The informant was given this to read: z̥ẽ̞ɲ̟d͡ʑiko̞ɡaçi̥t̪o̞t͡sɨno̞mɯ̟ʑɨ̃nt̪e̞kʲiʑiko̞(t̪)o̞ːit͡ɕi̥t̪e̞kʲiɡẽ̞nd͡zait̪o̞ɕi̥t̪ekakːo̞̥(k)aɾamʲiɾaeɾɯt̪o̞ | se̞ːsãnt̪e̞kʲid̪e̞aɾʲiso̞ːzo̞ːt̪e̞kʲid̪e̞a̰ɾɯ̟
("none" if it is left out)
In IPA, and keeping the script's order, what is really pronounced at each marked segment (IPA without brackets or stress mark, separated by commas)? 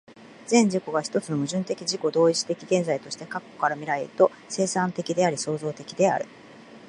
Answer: d̪, k